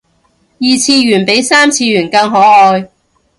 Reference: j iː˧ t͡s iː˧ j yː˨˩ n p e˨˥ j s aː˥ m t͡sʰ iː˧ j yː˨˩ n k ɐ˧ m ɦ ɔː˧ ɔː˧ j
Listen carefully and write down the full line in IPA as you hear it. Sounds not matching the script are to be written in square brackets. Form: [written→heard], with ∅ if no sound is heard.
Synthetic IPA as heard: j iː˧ [t͡s→t͡sʰ] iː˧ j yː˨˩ n p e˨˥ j s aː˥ m t͡sʰ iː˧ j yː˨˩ n k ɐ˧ [m→ŋ] ɦ [ɔː˧→ɔː˨˥] ɔː˧ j